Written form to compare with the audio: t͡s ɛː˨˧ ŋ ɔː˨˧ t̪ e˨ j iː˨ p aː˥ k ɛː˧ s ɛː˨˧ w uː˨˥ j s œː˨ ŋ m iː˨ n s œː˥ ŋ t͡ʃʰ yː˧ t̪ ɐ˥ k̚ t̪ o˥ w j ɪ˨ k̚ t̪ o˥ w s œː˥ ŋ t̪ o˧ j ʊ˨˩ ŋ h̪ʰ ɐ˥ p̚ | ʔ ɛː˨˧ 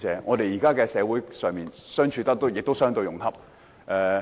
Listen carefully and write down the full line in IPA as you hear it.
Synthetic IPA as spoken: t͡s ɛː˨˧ ŋ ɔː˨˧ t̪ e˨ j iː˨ k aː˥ k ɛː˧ s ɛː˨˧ w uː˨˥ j s œː˨ ŋ m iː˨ n s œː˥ ŋ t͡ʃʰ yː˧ t̪ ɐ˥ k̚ t̪ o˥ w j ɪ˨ k̚ t̪ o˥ w s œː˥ ŋ t̪ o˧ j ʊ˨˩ ŋ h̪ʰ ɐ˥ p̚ | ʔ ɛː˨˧

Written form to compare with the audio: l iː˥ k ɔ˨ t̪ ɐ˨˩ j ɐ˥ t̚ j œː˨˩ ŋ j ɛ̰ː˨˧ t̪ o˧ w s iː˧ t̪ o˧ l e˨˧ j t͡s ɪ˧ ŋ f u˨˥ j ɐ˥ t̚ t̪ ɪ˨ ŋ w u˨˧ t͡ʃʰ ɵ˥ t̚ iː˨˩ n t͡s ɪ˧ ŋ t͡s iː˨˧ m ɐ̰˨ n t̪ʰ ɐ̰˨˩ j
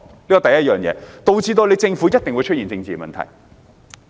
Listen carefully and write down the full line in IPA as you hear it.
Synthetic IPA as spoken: l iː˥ k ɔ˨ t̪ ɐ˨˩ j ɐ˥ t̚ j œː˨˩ ŋ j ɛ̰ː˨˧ t̪ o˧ w t͡s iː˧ t̪ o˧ l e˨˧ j t͡s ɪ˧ ŋ f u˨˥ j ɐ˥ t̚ t̪ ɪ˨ ŋ w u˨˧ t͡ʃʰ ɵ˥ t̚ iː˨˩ n t͡s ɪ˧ ŋ t͡s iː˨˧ m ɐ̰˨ n t̪ʰ ɐ̰˨˩ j

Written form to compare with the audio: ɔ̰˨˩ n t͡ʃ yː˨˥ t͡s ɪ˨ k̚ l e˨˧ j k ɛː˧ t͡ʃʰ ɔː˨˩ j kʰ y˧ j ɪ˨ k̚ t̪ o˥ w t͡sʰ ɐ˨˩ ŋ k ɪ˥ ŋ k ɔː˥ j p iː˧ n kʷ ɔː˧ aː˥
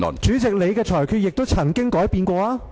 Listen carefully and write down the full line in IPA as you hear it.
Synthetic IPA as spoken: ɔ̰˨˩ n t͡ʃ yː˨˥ t͡s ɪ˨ k̚ l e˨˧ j k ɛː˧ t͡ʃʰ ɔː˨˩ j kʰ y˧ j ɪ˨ k̚ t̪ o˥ w t͡sʰ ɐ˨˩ ŋ k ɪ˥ ŋ k ɔː˨˥ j p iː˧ n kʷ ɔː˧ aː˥

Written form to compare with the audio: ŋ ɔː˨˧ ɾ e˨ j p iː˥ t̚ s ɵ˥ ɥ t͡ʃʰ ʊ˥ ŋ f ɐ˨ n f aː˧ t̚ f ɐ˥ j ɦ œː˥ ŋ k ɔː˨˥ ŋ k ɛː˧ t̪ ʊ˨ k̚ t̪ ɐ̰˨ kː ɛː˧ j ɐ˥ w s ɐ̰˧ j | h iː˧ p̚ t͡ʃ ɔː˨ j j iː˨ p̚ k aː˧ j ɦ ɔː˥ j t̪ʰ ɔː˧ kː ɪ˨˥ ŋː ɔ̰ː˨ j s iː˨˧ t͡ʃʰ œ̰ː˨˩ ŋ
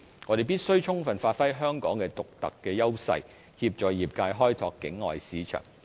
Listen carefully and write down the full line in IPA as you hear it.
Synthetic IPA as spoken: ŋ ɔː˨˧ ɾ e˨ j p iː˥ t̚ s ɵ˥ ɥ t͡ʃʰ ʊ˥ ŋ f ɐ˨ n f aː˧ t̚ f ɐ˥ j ɦ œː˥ ŋ k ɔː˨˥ ŋ k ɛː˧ t̪ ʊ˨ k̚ t̪ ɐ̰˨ kː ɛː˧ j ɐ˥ w s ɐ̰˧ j | h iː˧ p̚ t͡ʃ ɔː˨ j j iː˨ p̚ k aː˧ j ɦ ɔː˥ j t̪ʰ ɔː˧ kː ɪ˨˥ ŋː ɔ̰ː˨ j s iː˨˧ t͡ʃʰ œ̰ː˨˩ ŋ

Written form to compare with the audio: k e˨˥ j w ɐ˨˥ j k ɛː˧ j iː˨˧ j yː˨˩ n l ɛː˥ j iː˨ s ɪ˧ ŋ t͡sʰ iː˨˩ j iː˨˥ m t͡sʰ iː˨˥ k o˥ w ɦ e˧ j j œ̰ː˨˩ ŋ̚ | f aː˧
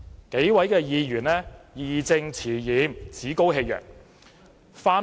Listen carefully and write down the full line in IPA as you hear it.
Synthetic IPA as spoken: k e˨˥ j w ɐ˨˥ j k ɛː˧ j iː˨˧ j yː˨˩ n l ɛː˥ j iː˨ t͡s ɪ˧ ŋ t͡sʰ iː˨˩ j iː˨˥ m t͡sʰ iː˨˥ k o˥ w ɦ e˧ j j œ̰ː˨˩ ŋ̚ | f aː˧

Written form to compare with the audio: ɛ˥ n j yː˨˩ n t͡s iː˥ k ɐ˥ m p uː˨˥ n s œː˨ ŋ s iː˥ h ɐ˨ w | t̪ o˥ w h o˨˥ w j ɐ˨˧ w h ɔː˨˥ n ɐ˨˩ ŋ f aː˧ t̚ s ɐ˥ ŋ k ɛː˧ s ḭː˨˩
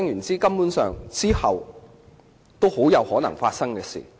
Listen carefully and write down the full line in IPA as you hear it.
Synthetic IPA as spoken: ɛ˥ ŋ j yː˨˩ n t͡s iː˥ k ɐ˥ m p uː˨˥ n s œː˨ ŋ t͡s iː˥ h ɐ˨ w | t̪ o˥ w h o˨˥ w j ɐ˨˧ w h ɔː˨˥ n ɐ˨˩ ŋ f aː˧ t̚ s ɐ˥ ŋ k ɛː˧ s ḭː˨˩

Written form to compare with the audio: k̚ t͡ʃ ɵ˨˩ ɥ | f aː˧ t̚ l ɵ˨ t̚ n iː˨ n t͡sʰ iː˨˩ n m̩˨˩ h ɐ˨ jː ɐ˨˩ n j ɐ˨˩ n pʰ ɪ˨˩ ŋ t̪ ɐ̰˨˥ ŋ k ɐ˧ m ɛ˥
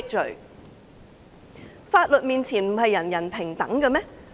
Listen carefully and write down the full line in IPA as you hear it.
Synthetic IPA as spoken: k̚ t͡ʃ ɵ˨˩ ɥ | f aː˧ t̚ l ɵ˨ t̚ m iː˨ n t͡sʰ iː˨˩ n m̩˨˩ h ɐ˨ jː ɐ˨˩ n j ɐ˨˩ n pʰ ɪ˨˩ ŋ t̪ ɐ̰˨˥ ŋ k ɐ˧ m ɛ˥

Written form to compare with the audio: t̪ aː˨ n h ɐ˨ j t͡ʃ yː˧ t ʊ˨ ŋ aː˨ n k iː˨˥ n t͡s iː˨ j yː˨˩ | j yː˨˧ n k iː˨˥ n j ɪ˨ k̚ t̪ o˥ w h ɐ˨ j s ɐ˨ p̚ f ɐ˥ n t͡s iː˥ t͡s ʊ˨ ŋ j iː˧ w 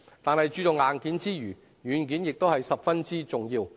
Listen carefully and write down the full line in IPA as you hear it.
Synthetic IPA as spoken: t̪ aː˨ n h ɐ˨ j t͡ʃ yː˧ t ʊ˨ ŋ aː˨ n k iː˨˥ n t͡s iː˥ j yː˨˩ | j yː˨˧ n k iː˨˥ n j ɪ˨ k̚ t̪ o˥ w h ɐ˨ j s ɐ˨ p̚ f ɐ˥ n t͡s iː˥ t͡s ʊ˨ ŋ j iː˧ w

